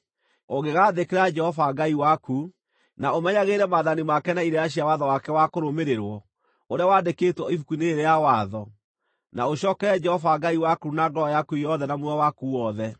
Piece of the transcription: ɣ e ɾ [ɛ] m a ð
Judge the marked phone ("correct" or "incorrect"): correct